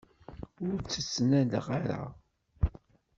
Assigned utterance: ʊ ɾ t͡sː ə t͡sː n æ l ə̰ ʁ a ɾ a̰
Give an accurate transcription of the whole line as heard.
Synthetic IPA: ʊ ɾ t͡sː ə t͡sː n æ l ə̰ ʁ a ɾ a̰